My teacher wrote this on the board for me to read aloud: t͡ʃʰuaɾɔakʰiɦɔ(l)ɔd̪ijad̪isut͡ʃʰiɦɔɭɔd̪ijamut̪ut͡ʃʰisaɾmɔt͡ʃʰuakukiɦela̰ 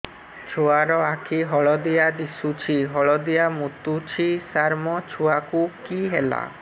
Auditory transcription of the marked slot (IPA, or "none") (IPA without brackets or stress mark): ɭ